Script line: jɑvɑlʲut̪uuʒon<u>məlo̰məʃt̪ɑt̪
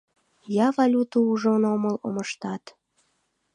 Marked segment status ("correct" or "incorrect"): incorrect